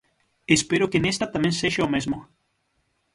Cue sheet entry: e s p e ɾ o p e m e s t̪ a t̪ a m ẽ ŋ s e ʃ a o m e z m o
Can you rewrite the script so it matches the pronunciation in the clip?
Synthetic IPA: e s p e ɾ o k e n e s t̪ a t̪ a m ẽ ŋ s e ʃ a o m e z m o